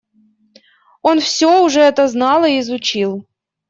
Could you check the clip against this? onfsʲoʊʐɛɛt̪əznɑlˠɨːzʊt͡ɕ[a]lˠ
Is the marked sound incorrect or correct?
incorrect